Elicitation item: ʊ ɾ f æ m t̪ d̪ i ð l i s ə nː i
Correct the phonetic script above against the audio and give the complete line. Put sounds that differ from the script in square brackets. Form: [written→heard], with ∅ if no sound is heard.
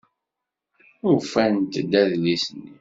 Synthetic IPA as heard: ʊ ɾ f æ [m→n] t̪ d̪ [i→æ] ð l i s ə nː i

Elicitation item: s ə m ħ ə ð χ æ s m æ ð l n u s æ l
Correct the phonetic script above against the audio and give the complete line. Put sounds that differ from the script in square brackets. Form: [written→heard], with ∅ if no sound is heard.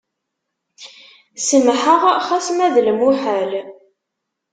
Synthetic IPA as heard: s ə m ħ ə [ð→ʁ] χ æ s m æ ð l [n→m] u [s→ħ] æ l

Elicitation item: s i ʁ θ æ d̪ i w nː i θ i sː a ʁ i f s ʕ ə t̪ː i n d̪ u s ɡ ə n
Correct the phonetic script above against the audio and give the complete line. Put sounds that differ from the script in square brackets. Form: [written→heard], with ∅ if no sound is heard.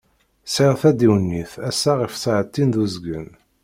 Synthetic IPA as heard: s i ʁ θ æ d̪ i w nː i θ [i→æ] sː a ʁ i f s ʕ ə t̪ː i n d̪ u [s→z] ɡ ə n

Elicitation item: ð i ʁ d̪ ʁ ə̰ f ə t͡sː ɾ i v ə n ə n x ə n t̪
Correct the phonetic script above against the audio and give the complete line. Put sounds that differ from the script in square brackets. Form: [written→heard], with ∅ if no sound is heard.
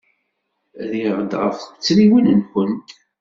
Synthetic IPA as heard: ð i ʁ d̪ ʁ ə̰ f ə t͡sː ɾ i [v→w] ə n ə n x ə n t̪

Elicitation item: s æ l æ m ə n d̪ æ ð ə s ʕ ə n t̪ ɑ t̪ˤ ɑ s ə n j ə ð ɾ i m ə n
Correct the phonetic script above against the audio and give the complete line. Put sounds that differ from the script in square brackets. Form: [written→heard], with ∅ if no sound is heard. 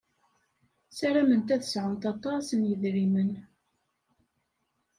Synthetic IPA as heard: s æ [l→ɾ] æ m ə n [d̪→t̪] æ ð ə s ʕ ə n t̪ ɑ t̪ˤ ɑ s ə n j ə ð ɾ i m ə n

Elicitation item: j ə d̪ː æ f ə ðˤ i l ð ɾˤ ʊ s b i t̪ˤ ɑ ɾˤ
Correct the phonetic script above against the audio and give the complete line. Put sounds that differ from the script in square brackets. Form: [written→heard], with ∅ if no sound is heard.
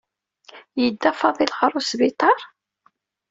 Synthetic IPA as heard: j ə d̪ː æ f [ə→ɑ] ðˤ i l [ð→ʁ] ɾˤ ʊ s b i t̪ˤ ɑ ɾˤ

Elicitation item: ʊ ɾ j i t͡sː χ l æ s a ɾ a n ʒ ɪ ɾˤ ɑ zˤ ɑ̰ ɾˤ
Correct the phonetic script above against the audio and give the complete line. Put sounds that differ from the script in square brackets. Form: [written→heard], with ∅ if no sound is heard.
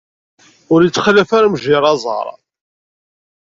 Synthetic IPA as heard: ʊ ɾ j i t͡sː χ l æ [s→f] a ɾ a [n→m] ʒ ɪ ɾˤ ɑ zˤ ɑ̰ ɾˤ

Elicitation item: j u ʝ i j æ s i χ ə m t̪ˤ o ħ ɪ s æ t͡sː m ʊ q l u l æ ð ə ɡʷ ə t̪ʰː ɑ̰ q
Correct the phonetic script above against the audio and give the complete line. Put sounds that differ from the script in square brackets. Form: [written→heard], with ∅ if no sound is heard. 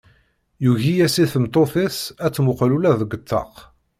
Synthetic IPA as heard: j u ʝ i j æ s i [χ→θ] ə m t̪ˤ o [ħ→θ] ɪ s æ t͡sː m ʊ q l u l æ ð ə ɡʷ ə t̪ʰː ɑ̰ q

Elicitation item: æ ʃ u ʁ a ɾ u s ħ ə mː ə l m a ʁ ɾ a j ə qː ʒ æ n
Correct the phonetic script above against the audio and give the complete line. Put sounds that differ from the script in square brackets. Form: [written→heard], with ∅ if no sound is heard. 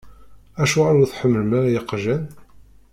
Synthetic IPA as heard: æ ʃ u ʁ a ɾ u [s→θ] ħ ə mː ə l m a [ʁ→∅] ɾ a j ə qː ʒ æ n

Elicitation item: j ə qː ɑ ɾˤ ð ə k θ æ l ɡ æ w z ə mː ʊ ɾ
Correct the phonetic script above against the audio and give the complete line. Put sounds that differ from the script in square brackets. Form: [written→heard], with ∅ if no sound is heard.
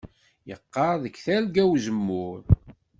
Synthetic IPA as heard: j ə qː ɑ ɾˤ ð ə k θ æ l ɡ æ w z ə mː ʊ ɾ

